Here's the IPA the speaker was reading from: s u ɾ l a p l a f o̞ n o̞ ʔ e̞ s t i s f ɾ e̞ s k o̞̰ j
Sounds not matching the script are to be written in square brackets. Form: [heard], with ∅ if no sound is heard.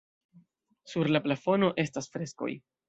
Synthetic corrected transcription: s u ɾ l a p l a f o̞ n o̞ ʔ e̞ s t [a] s f ɾ e̞ s k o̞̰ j